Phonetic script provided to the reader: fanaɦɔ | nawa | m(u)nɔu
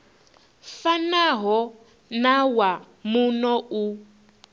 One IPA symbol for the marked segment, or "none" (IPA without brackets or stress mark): u